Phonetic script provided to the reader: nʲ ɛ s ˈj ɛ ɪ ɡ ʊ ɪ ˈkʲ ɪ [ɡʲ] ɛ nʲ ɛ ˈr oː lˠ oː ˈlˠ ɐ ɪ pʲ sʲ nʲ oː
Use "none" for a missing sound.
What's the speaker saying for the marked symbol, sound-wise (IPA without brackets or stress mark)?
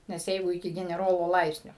ɡʲ